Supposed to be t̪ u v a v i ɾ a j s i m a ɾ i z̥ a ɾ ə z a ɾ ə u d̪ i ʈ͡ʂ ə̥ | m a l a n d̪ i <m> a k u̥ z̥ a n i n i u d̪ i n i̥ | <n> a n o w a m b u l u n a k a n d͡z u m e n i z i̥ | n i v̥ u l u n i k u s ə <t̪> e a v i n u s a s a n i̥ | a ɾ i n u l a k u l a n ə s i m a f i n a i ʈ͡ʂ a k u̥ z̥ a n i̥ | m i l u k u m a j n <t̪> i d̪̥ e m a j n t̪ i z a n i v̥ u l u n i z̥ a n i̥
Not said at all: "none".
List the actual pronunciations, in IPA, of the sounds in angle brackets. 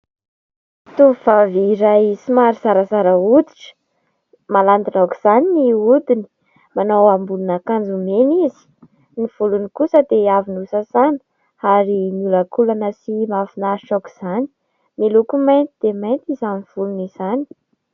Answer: n, m, d̪, t̪

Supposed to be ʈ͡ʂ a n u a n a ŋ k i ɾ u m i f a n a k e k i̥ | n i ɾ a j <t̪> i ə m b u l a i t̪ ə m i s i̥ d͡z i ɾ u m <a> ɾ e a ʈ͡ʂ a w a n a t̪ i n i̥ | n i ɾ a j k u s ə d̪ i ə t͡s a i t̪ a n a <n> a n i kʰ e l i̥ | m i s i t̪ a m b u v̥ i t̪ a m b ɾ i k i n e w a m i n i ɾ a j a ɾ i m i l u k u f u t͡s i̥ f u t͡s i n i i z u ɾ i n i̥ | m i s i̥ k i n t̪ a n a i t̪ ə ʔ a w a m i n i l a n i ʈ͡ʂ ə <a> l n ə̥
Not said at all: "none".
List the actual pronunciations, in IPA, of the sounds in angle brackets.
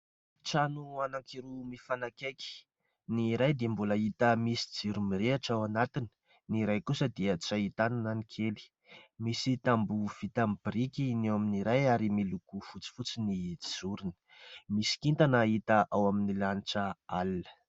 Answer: d̪, i, n, a

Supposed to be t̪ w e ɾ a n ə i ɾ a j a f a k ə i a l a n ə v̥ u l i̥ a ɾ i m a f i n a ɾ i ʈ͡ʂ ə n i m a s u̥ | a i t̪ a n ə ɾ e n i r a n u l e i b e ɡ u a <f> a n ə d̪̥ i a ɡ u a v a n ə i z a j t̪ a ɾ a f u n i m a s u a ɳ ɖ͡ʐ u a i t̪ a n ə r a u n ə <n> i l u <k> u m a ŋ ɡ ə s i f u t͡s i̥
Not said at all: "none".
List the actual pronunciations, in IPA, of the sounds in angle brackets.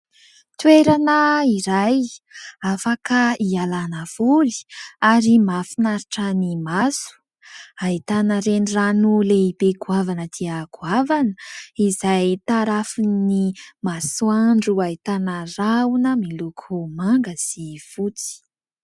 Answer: v, m, kʰ

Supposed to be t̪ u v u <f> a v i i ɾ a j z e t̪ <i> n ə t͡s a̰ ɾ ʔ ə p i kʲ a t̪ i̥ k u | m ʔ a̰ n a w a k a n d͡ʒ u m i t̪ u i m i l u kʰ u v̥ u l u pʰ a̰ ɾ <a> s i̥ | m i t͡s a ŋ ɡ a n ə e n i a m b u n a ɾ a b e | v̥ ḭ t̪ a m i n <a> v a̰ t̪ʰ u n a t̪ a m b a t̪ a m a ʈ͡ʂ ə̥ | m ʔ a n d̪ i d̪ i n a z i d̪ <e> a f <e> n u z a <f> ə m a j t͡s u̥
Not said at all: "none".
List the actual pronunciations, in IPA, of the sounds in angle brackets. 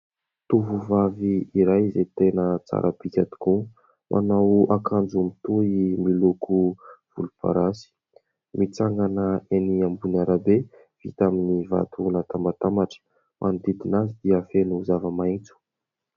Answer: v, e, a, i, i, e, v

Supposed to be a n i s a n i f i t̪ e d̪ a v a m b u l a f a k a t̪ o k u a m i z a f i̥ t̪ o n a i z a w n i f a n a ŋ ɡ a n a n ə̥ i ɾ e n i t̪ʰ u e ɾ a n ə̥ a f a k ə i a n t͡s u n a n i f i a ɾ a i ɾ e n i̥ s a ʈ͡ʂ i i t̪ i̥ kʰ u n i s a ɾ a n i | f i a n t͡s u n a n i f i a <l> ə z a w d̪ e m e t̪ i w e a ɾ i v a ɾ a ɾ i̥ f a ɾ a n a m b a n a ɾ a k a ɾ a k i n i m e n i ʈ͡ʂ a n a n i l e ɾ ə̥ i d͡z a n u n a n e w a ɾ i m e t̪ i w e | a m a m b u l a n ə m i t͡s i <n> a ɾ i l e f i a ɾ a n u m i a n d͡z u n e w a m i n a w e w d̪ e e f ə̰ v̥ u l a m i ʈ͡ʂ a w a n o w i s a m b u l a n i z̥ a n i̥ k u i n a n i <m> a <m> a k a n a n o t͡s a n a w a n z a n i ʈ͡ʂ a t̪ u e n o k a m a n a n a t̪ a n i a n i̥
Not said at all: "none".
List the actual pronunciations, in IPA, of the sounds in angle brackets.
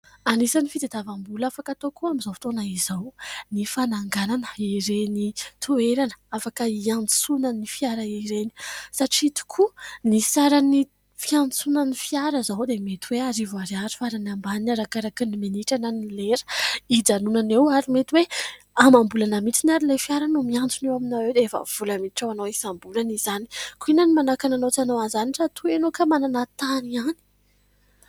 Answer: ɾ, n, m, n

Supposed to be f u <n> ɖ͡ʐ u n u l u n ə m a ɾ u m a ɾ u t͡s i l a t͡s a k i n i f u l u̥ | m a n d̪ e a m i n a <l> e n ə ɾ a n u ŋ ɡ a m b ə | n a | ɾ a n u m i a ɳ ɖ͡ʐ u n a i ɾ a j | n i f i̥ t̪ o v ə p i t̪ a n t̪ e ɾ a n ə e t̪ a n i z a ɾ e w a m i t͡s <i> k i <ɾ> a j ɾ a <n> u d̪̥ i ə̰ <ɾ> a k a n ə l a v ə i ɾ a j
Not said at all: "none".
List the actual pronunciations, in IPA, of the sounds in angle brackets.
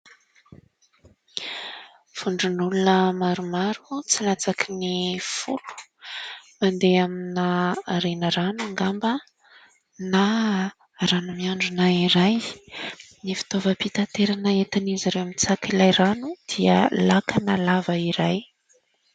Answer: ɳ, ɾ, a, l, n, l

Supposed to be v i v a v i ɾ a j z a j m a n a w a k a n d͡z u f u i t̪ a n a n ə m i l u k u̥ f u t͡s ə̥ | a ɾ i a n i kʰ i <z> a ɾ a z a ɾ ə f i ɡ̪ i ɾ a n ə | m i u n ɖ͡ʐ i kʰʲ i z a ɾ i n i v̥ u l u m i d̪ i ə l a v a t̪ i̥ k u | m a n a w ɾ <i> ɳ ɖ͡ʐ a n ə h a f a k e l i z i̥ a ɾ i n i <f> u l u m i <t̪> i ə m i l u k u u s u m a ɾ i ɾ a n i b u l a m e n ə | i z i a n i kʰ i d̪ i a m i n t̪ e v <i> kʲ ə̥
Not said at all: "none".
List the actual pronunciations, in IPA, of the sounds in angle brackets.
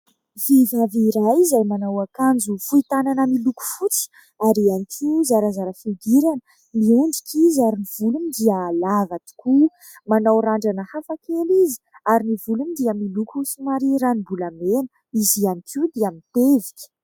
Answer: z, a, v, d̪, i

